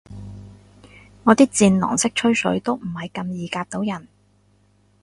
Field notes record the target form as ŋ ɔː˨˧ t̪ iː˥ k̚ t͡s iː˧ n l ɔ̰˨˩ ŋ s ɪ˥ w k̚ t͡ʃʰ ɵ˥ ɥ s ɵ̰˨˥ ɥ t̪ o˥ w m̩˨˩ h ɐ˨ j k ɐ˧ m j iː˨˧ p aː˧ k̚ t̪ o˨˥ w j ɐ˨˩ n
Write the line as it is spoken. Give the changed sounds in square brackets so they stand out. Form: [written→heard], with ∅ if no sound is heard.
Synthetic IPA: ŋ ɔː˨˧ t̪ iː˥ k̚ t͡s iː˧ n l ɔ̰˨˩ ŋ s ɪ˥ [w→∅] k̚ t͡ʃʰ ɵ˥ ɥ s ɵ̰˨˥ ɥ t̪ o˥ w m̩˨˩ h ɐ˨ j k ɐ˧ m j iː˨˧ [p→k] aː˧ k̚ t̪ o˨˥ w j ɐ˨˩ n